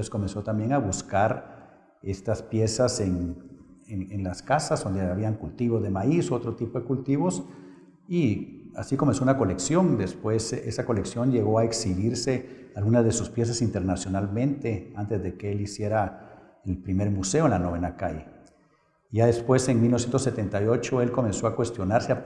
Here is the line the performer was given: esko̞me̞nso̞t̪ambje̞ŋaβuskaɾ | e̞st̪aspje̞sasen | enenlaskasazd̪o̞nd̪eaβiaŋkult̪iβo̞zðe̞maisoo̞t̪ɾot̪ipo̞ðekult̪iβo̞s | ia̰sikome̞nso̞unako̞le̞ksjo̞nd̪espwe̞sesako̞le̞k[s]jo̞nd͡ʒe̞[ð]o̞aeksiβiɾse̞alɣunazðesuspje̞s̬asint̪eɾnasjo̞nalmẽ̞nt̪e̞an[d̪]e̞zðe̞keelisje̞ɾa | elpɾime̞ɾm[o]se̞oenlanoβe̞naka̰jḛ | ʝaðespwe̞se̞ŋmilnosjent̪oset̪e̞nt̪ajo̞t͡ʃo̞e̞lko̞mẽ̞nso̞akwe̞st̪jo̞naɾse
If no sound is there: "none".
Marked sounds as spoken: s, ɣ, t̪, u

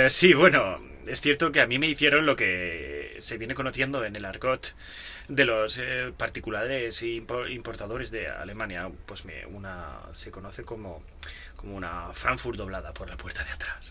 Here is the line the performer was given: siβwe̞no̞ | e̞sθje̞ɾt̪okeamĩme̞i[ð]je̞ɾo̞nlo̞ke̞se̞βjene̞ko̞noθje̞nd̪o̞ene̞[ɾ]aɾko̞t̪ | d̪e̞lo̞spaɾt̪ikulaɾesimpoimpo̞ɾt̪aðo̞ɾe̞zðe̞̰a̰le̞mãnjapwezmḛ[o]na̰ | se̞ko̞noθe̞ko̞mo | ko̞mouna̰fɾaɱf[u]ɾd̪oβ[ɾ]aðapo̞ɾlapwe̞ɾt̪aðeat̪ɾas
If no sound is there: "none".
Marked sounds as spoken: θ, l, u, u, l

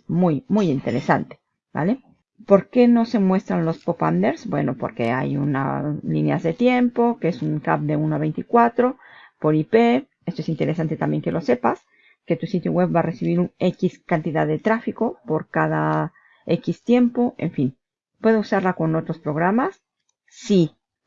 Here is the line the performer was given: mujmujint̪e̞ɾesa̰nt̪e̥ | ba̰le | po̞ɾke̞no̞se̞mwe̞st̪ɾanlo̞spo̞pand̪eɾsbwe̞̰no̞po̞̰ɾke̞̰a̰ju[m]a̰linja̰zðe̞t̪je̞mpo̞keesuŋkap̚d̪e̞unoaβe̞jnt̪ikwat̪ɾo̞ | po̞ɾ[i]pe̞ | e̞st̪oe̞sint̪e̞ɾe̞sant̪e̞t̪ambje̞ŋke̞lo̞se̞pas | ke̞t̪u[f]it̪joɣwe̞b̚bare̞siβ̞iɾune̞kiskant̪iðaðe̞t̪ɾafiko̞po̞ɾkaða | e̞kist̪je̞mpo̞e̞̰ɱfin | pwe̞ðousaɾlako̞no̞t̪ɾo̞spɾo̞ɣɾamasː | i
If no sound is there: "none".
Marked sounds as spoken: n, i, s

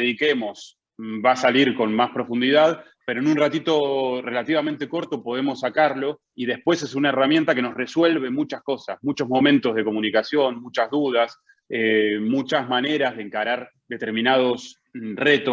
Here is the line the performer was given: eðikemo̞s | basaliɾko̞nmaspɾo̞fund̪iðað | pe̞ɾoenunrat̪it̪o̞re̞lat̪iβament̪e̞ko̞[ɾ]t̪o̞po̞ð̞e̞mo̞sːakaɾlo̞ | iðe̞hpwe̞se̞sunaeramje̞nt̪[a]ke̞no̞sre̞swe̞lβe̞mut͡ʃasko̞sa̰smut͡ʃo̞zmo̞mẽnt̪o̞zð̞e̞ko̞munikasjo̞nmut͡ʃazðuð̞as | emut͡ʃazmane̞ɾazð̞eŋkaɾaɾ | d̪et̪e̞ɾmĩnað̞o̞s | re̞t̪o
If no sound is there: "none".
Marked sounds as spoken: ɾ, a

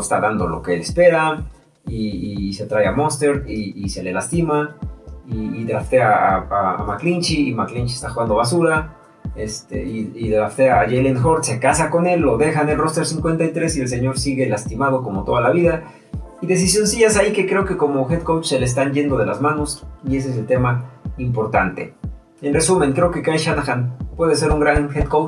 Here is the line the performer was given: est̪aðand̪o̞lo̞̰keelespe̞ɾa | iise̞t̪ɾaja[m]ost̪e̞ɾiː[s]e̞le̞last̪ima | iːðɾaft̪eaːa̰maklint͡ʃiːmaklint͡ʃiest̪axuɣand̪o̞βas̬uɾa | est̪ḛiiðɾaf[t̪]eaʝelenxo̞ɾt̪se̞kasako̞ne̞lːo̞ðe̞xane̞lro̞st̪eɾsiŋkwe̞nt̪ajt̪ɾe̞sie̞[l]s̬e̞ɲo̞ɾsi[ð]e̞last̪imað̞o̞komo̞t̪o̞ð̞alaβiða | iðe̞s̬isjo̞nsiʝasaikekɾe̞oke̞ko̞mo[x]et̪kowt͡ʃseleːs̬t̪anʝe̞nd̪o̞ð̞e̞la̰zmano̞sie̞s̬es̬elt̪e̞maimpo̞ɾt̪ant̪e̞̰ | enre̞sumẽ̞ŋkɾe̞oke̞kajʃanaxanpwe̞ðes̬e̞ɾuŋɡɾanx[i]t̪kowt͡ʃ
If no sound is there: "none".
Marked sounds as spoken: m, s, t̪, l, ɣ, x, e

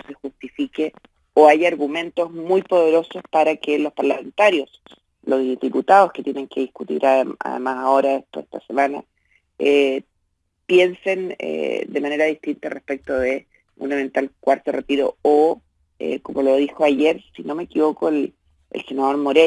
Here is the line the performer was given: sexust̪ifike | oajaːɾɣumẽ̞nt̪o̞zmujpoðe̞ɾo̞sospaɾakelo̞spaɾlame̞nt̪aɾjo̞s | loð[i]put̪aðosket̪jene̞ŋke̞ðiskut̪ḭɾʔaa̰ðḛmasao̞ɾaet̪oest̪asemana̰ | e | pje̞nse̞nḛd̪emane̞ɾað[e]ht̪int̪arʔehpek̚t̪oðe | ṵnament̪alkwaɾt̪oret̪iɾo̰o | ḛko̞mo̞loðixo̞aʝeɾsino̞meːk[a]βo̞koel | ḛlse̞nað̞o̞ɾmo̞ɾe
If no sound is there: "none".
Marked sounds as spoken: i, i, i

